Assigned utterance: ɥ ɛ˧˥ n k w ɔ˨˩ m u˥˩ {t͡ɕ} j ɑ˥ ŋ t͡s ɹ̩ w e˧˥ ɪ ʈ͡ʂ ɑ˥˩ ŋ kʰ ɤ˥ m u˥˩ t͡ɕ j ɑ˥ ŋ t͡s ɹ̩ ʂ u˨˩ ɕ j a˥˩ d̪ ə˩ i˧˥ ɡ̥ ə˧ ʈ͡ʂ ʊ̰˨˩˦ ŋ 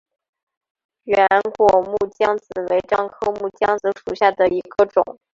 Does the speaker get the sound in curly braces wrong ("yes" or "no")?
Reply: no